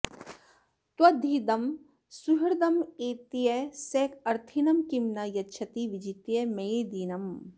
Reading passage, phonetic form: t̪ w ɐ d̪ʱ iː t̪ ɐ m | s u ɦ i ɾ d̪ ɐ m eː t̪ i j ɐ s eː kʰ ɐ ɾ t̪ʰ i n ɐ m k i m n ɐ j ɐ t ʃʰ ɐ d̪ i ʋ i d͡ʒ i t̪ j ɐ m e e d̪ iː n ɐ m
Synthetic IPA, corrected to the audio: t̪ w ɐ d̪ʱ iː d̪ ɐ m | s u ɦ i ɾ d̪ ɐ m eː t̪ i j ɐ s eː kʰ ɐ ɾ t̪ʰ i n ɐ m k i m n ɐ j ɐ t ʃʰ ɐ t̪ i ʋ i d͡ʒ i t̪ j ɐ m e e d̪ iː n ɐ m